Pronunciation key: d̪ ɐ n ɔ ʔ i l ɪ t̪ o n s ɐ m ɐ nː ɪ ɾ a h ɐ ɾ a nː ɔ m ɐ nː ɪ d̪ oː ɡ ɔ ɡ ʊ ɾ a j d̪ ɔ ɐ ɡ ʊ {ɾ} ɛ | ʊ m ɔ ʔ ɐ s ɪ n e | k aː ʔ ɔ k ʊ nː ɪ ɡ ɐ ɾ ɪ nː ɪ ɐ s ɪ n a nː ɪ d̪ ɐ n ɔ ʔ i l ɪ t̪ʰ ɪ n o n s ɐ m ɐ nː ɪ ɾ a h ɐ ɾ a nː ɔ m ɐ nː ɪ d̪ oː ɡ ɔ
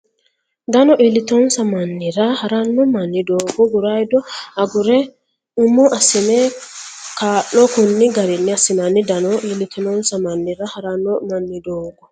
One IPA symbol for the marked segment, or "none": ɾ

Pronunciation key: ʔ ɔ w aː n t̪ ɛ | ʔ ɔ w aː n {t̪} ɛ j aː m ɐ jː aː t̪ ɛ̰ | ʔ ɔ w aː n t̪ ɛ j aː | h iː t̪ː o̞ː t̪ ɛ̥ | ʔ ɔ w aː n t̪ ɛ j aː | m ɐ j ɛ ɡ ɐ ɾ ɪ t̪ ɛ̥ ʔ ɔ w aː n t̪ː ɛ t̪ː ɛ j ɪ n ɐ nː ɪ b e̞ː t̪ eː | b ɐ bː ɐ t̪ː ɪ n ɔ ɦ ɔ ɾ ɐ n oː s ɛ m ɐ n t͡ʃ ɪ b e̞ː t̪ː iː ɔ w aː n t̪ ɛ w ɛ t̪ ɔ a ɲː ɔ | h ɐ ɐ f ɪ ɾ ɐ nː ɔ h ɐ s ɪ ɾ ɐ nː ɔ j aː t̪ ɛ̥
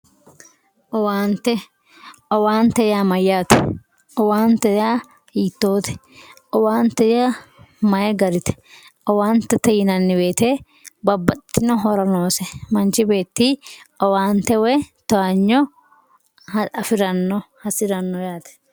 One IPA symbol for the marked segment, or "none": t̪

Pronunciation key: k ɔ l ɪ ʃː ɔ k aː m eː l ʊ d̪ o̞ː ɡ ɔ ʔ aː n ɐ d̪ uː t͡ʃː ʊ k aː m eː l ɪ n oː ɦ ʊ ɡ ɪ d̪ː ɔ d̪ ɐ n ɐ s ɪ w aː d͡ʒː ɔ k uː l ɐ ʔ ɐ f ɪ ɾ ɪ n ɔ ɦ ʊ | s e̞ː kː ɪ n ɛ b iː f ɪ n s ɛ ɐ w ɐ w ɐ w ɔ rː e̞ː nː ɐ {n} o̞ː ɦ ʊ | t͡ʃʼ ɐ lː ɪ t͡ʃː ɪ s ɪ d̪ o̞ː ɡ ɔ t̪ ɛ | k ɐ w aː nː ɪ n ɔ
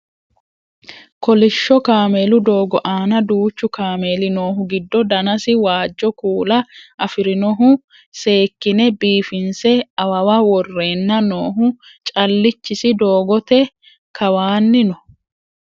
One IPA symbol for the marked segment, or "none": n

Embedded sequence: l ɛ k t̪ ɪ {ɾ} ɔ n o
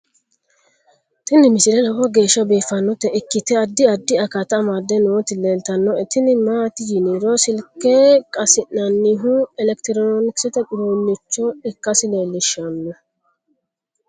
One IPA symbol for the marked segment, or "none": ɾ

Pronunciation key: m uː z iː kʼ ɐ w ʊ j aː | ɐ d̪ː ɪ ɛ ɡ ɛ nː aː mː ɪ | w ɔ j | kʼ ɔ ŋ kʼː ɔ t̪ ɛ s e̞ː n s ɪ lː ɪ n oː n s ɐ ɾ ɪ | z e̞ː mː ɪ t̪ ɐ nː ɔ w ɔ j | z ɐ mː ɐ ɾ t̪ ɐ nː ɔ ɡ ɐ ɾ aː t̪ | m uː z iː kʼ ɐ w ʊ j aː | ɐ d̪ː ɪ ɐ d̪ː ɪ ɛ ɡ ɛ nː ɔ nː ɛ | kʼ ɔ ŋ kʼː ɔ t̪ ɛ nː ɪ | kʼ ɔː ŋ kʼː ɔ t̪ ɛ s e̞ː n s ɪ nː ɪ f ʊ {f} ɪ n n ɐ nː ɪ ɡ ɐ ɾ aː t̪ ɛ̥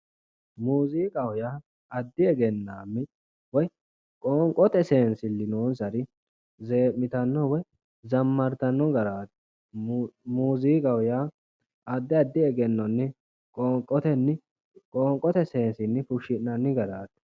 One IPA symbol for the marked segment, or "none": ʃ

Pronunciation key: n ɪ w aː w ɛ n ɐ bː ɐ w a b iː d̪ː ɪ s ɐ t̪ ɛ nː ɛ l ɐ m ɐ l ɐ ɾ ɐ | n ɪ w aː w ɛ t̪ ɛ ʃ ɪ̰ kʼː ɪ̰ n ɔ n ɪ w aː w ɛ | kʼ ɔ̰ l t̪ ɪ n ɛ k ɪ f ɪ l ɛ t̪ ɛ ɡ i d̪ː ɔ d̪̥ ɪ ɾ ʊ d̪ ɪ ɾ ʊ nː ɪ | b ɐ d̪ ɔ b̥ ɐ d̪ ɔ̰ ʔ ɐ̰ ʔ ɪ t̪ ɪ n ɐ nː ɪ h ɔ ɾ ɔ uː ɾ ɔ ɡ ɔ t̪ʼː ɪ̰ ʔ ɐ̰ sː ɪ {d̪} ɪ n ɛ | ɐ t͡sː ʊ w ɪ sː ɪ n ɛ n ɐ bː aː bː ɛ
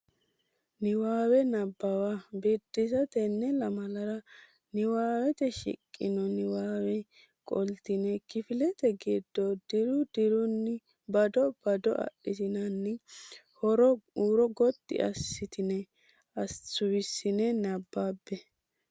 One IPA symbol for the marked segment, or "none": t̪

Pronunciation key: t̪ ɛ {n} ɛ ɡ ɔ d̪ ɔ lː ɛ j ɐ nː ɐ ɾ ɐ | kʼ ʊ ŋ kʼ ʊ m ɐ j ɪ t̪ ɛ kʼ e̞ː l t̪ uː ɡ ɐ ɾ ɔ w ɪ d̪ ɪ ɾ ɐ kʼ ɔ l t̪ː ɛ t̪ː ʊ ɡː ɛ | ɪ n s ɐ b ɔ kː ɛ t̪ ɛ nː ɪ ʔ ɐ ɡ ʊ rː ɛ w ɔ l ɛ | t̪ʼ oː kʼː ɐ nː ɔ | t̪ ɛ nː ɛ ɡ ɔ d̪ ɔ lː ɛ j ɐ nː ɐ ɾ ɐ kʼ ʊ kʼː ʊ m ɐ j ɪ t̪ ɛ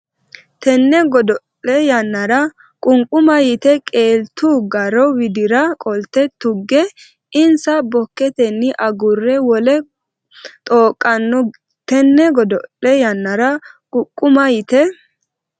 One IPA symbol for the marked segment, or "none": nː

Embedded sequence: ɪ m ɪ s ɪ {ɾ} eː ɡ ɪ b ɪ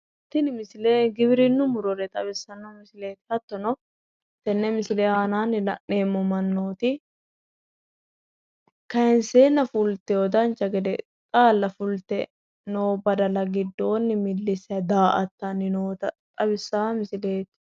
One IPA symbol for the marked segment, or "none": l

